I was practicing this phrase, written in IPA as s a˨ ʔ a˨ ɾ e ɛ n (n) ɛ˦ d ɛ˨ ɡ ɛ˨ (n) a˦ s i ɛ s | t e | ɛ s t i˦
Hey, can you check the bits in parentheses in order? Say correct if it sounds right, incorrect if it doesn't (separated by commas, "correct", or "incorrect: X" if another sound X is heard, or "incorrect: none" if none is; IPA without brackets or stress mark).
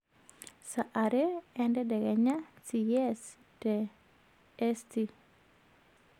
incorrect: d, incorrect: ɲ